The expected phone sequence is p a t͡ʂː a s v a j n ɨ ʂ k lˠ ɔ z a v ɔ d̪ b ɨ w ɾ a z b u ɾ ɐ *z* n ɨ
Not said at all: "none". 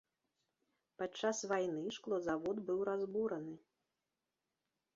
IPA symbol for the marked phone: none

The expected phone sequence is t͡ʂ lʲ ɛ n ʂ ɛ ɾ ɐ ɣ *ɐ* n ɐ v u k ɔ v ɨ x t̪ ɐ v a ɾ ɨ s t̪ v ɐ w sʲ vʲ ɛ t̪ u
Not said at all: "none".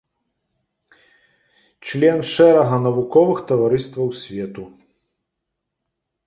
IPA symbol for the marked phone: ɐ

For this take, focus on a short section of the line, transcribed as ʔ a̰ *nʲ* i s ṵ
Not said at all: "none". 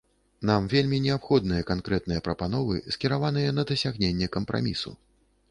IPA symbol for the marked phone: mʲ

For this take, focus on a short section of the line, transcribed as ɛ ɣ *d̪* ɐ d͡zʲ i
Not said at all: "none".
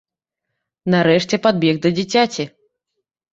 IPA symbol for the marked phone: d̪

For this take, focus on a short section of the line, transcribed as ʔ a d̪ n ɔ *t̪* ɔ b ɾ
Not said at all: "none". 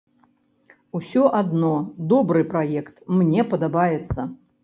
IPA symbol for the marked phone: d̪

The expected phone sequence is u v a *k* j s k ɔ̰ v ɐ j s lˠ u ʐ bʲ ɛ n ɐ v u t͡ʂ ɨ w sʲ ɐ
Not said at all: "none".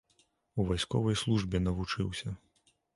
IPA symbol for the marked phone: none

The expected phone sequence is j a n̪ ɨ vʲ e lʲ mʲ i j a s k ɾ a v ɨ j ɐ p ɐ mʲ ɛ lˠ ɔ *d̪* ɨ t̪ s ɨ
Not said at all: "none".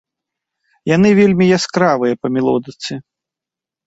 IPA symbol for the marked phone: d̪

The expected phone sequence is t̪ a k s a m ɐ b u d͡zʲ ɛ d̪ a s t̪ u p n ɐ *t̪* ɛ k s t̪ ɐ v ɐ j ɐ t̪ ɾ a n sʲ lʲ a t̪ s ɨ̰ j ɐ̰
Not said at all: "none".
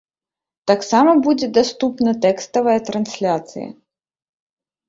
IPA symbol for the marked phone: t̪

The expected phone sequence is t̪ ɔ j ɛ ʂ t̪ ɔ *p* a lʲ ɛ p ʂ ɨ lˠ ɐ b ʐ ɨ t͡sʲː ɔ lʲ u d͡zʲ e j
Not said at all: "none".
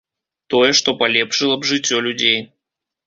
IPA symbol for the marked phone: p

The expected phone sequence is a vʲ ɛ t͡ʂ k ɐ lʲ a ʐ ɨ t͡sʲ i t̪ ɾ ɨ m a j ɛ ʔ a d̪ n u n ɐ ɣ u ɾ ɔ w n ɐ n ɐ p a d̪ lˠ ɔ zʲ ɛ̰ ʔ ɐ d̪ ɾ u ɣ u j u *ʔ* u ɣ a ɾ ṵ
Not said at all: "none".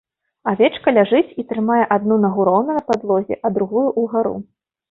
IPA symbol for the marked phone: ʔ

